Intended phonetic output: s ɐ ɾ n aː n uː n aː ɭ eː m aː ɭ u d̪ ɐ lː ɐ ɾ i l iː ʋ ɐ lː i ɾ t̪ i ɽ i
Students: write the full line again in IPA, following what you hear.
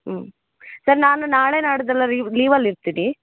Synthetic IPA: s ɐ ɾ n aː n u n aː ɭ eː n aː ɽ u d̪ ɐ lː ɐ ɾ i l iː ʋ ɐ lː i ɾ t̪ i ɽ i